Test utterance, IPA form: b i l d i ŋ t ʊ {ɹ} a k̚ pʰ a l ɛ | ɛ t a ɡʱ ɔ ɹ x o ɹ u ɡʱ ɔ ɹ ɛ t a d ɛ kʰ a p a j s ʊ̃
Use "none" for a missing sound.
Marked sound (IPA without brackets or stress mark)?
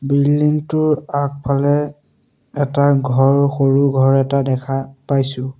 ɹ